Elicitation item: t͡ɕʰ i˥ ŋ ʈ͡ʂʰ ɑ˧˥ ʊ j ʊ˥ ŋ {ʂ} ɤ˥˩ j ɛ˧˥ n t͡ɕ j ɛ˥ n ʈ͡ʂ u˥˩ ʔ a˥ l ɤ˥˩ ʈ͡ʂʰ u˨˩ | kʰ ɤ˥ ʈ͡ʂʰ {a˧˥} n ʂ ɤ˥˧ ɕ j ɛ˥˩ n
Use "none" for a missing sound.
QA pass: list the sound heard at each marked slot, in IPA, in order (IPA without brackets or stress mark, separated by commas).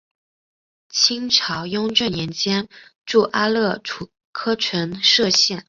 ʈ͡ʂ, ə˧˥